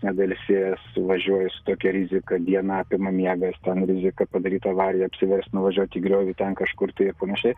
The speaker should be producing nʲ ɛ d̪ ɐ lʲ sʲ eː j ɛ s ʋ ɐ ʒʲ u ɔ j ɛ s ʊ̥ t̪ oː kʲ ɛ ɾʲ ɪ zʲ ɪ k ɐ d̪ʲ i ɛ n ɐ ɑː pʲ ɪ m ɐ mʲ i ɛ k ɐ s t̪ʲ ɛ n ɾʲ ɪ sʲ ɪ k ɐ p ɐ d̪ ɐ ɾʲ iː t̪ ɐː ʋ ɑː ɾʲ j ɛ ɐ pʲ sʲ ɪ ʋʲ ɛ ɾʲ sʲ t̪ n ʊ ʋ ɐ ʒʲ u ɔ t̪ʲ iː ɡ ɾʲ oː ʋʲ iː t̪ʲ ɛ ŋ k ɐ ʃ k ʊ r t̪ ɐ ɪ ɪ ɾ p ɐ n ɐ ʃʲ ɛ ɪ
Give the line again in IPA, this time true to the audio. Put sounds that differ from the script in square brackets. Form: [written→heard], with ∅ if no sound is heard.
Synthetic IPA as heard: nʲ ɛ d̪ ɐ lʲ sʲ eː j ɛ s ʋ ɐ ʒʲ u ɔ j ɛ s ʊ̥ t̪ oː kʲ ɛ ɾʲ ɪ zʲ ɪ k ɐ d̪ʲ i ɛ n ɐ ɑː pʲ ɪ m ɐ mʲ i ɛ [k→ɡ] ɐ s t̪ʲ ɛ n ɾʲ ɪ [sʲ→zʲ] ɪ k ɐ p ɐ d̪ ɐ ɾʲ iː t̪ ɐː ʋ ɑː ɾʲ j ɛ ɐ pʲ sʲ ɪ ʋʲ ɛ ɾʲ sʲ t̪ n ʊ ʋ ɐ ʒʲ u ɔ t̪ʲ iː ɡ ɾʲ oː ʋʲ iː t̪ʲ ɛ [ŋ→n] k ɐ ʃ k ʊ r t̪ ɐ ɪ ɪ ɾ p ɐ n ɐ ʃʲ ɛ ɪ